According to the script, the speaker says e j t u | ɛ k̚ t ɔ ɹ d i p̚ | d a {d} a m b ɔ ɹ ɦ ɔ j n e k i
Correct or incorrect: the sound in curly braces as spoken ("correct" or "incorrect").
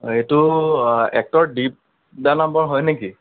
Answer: incorrect